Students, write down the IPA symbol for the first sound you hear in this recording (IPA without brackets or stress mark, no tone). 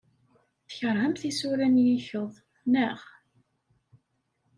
θ